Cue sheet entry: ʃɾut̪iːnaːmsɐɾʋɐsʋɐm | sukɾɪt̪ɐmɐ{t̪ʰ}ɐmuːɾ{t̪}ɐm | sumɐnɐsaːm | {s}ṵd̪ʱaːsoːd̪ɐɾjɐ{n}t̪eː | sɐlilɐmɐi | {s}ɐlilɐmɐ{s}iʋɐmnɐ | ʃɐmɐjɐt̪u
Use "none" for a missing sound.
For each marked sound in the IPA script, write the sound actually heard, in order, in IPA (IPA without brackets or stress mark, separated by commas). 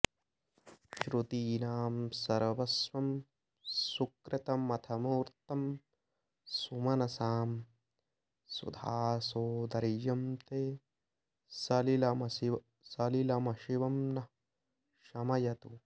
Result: t̪ʰ, t̪, s, m, s, ʃ